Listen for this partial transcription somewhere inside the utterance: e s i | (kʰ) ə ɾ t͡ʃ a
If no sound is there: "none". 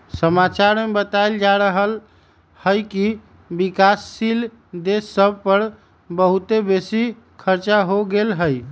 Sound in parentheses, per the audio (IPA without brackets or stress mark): kʰ